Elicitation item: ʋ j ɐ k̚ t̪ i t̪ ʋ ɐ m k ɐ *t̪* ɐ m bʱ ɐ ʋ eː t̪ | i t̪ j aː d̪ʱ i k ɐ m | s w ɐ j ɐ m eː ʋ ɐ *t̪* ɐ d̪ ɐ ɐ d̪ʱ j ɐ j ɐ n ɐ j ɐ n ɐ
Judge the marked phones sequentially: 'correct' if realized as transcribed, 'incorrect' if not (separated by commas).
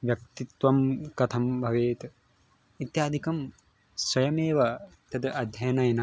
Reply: incorrect, correct